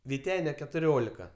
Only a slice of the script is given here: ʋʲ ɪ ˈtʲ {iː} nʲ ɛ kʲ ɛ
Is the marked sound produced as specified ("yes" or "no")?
no